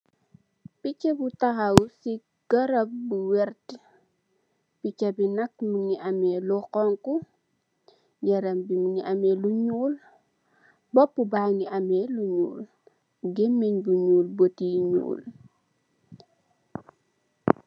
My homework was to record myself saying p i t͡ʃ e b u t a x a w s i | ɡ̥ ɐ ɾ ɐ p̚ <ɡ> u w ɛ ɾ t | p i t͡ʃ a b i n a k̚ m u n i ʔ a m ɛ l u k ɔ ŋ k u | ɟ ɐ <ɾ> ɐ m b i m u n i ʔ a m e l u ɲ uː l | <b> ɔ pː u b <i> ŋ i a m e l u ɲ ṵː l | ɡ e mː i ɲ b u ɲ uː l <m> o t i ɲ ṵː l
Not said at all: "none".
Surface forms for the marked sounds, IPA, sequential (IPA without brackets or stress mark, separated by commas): b, ɾ, b, a, b